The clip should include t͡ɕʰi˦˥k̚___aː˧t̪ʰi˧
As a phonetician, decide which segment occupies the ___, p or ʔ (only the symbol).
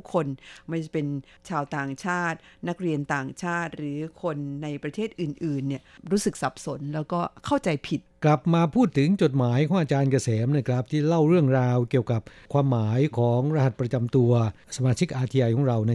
ʔ